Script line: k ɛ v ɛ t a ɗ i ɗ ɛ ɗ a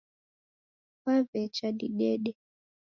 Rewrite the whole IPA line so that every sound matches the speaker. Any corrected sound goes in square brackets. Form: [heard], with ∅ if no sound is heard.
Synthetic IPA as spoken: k [a] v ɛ [t͡ʃ] a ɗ i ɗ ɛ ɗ [ɛ]